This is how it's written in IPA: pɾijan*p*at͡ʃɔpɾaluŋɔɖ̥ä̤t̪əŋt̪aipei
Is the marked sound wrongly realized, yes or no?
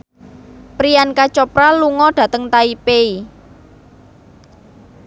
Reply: yes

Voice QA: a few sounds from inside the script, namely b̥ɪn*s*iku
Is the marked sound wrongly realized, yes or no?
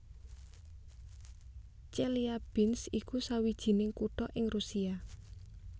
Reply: no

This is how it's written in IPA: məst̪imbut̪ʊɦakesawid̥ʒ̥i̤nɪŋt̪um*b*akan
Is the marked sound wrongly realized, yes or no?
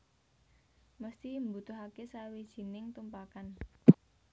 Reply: yes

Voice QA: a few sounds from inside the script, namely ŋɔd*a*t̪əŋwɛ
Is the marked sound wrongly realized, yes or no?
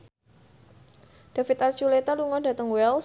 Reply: no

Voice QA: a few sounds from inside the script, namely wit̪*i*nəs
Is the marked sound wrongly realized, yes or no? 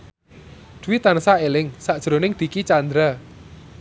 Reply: yes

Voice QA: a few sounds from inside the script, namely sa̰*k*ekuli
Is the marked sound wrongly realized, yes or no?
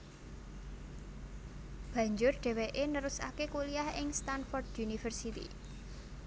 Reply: no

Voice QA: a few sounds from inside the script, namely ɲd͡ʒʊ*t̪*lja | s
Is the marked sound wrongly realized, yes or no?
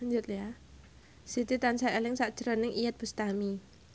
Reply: no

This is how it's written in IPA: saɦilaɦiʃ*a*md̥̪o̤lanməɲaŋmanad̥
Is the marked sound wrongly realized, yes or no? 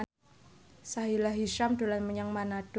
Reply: no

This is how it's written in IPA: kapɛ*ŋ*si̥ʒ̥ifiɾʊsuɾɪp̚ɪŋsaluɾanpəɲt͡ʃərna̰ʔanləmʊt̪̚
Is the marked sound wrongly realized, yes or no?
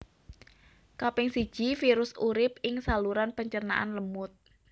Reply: no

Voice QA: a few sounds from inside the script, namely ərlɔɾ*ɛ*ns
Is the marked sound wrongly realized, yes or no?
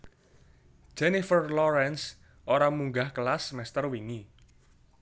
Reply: no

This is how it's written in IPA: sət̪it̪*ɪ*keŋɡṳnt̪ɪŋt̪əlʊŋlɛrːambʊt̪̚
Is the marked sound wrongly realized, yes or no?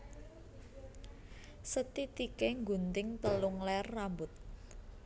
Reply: yes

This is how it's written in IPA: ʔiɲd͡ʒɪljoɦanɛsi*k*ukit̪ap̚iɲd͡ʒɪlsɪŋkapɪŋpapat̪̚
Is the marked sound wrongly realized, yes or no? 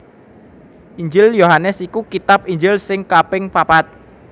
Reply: no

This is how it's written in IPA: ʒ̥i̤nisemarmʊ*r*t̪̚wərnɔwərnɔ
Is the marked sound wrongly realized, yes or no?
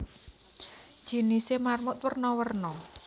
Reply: yes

